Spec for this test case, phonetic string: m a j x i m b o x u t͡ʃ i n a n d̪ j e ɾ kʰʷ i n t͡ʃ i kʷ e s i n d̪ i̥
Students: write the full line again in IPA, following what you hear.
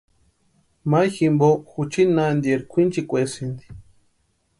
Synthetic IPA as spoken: m a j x i m b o x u t͡ʃ i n a n d̪ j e ɾ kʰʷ i n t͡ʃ i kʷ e s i n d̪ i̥